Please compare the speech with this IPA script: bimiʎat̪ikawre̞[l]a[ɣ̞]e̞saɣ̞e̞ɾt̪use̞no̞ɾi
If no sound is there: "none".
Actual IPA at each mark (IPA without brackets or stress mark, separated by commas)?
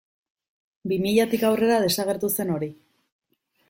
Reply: ɾ, ð̞